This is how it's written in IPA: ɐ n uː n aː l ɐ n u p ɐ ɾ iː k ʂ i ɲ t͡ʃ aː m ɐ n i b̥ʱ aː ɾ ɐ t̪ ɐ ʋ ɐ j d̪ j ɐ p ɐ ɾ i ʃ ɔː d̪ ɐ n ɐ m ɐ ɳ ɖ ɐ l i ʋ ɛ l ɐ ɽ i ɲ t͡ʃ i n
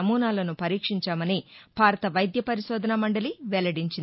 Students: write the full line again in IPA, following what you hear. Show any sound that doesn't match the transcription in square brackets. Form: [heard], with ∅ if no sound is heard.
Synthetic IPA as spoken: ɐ [m] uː n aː l ɐ n u p ɐ ɾ iː k ʂ i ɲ t͡ʃ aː m ɐ n i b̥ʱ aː ɾ ɐ t̪ ɐ ʋ ɐ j d̪ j ɐ p ɐ ɾ i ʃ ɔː d̪ ɐ n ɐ m ɐ ɳ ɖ ɐ l i ʋ ɛ l ɐ ɽ i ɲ t͡ʃ i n